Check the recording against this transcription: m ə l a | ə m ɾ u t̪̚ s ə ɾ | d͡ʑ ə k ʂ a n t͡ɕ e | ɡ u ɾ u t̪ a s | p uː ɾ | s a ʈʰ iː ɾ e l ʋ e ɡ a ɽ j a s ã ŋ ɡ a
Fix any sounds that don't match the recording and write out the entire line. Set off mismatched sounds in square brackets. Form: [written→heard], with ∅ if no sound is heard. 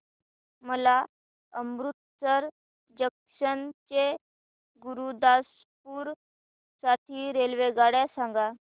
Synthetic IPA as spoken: m ə l a | ə m ɾ u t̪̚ s ə ɾ | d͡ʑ ə k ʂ [a→ə] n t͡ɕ e | ɡ u ɾ u [t̪→d̪] a s | p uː ɾ | s a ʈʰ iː ɾ e l ʋ e ɡ a ɽ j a s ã ŋ ɡ a